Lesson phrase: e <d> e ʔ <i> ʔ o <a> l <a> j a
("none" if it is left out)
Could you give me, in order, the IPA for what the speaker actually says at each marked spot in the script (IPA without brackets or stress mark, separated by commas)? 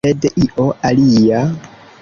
d, i, a, i